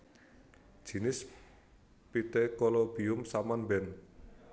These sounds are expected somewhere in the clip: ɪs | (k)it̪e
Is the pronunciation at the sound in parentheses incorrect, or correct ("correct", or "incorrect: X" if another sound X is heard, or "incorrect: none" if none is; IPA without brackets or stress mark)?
incorrect: p